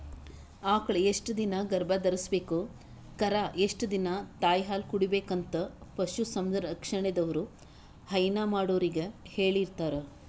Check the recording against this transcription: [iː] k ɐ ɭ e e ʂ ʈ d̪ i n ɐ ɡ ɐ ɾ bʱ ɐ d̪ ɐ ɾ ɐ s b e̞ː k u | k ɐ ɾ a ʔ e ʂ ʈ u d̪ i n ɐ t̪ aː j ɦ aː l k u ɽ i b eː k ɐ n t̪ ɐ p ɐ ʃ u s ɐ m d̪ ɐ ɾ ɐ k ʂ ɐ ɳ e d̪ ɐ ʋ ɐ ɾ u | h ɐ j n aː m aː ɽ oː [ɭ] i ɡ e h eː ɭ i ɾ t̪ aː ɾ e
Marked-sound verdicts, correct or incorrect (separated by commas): incorrect, incorrect